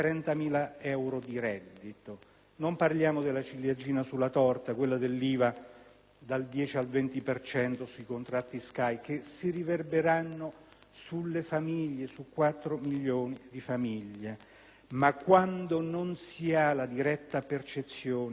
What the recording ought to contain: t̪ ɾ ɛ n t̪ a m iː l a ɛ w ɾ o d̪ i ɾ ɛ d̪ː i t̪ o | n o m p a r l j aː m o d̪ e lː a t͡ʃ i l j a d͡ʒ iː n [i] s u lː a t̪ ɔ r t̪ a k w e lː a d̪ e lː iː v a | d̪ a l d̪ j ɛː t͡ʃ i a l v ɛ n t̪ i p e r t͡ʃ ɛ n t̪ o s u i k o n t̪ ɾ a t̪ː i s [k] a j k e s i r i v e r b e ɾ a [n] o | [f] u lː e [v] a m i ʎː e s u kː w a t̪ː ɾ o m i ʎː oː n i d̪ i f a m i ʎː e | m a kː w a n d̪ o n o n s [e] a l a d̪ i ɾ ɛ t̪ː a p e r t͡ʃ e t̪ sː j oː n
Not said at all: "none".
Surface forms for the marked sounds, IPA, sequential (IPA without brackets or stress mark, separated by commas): a, k, nː, s, f, i